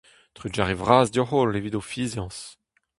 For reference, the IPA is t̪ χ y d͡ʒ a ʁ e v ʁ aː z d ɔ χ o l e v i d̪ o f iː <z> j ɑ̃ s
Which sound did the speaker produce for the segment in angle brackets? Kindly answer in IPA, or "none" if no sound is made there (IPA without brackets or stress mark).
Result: z